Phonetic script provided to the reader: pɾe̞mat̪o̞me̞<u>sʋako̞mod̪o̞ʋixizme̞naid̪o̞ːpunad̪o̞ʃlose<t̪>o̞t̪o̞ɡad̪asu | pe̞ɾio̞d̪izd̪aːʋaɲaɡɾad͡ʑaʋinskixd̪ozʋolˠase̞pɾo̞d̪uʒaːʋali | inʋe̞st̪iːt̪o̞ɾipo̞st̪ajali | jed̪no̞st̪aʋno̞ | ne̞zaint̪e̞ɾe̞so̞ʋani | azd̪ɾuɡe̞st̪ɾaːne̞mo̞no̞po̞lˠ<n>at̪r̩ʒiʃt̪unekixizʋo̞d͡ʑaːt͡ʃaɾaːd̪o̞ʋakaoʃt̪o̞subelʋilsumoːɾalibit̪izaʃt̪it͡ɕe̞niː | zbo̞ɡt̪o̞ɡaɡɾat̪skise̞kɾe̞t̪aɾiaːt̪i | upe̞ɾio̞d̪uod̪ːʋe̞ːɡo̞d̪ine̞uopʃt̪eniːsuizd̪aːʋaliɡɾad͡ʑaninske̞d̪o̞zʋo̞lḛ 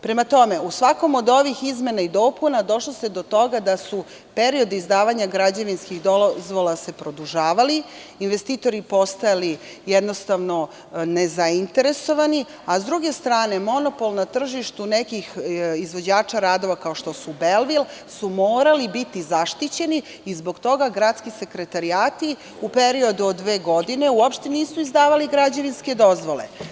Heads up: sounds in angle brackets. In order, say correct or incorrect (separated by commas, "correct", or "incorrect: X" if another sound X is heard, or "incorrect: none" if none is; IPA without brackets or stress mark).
correct, incorrect: d̪, correct